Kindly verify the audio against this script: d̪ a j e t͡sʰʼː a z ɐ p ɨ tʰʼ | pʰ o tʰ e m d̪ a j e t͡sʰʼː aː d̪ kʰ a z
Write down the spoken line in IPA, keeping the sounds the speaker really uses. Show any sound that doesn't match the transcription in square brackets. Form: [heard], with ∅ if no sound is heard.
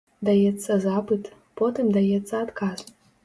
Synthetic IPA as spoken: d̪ a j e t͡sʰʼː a z [a] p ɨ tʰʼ | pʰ o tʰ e m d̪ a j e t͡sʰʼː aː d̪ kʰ a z